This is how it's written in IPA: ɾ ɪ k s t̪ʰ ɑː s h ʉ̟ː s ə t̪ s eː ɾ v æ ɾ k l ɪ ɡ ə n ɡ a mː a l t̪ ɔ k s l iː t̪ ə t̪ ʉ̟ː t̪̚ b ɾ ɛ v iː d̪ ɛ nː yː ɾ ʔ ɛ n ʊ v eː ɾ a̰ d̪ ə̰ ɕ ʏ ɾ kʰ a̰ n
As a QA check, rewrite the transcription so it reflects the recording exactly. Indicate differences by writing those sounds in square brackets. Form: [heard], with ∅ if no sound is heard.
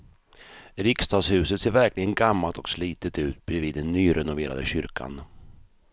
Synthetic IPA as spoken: ɾ ɪ k s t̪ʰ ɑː s h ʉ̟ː s ə t̪ s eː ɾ v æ ɾ k l ɪ ɡ ə n ɡ a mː a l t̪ ɔ k s l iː t̪ ə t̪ ʉ̟ː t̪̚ b ɾ ɛ v iː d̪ ɛ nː yː ɾ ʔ ɛ n ʊ v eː ɾ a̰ d̪ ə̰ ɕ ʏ ɾ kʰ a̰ n